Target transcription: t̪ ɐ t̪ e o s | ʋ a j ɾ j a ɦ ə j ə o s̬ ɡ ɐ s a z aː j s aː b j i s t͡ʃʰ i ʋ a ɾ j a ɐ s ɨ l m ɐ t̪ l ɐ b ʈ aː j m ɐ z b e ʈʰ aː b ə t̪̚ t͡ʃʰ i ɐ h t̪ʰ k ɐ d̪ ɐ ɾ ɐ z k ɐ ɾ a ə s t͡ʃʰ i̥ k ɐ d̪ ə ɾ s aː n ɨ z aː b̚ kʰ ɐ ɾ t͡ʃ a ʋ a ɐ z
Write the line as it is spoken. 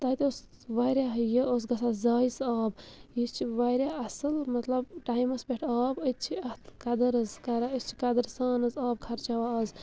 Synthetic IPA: t̪ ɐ t̪ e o s | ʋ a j ɾ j a ɦ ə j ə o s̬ ɡ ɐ s a z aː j s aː b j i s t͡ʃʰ i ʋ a ɾ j a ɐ s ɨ l m ɐ t̪ l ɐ b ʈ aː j m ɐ s b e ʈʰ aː b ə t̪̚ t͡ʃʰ i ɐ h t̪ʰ k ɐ d̪ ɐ ɾ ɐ z k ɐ ɾ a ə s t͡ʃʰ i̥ k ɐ d̪ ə ɾ s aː n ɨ z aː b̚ kʰ ɐ ɾ t͡ʃ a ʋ a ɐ z